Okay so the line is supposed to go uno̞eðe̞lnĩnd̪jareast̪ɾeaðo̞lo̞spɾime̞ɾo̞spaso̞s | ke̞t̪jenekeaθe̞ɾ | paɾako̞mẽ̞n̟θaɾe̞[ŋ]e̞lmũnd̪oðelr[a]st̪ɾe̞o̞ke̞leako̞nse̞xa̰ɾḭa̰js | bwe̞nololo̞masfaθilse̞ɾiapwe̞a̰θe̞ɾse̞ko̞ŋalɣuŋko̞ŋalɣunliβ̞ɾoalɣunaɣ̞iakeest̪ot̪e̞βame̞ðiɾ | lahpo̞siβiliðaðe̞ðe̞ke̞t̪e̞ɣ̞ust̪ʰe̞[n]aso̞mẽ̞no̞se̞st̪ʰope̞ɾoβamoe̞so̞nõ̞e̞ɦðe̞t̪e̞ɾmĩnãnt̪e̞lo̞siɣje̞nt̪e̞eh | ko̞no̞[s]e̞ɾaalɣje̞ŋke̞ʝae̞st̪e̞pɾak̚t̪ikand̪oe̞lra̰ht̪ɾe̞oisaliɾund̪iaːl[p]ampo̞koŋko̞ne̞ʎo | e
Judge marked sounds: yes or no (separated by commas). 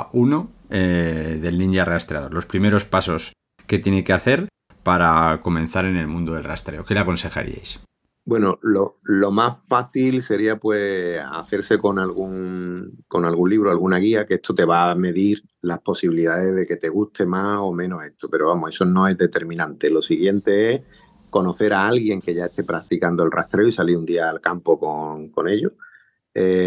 no, yes, no, no, no